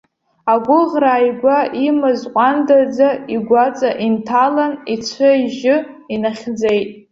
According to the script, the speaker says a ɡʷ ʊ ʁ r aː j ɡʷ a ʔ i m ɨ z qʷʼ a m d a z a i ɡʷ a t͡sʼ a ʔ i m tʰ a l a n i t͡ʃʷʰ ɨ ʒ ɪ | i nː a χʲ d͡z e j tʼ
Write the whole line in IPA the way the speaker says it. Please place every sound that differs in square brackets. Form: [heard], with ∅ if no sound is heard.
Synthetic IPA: a ɡʷ ʊ ʁ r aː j ɡʷ a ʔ i m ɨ z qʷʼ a [n] d a [d͡z] a i ɡʷ a t͡sʼ a ʔ i [n] tʰ a l a n i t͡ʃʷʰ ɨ ʒ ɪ | i [n] a χʲ d͡z e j tʼ